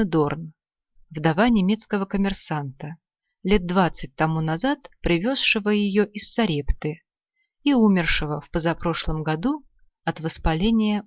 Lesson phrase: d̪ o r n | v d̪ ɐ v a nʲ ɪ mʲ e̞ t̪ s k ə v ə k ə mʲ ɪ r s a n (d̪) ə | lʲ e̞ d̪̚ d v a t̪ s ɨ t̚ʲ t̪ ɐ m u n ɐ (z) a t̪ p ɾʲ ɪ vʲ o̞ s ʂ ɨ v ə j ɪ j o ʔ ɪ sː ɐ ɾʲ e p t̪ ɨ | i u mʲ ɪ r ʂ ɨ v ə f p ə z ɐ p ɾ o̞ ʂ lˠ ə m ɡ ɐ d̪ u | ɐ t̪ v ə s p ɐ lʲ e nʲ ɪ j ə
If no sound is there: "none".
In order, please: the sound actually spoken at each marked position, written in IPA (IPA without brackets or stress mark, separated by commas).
t̪, z